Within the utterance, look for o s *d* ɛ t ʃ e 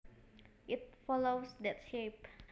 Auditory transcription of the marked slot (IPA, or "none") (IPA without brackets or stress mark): d